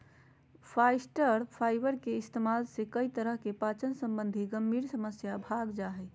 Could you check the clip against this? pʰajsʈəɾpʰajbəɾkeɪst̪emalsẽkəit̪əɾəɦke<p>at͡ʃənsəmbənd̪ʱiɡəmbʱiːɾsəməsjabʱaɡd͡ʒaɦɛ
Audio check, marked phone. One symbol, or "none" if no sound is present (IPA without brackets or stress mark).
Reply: p